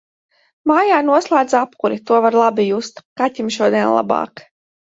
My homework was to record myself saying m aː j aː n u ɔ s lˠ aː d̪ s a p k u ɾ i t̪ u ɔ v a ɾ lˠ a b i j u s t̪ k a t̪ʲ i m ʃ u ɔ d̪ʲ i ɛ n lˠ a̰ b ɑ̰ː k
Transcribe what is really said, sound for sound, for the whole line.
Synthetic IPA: m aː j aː n u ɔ s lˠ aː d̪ z a p k u ɾ i t̪ u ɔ v a ɾ lˠ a b i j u s t̪ k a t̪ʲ i m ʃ u ɔ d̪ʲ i ɛ n lˠ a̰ b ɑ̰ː k